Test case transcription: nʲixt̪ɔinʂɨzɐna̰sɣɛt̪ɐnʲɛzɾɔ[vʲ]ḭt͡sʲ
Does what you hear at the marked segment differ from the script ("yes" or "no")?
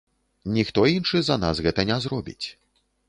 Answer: yes